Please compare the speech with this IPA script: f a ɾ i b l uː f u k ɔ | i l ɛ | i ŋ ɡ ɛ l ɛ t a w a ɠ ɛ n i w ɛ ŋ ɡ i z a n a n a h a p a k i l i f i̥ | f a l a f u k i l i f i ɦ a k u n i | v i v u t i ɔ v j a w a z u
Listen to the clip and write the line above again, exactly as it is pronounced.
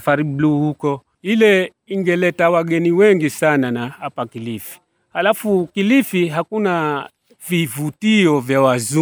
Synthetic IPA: f a ɾ i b l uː h u k ɔ | i l ɛ | i ŋ ɡ ɛ l ɛ t a w a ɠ ɛ n i w ɛ ŋ ɡ i s a n a n a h a p a k i l i f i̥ | h a l a f u k i l i f i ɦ a k u n a | v i v u t i ɔ v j a w a z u